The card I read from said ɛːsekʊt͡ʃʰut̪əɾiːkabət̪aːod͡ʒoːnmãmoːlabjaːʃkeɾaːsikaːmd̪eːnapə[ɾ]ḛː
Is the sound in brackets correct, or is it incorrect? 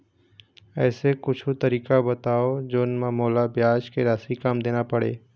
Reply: incorrect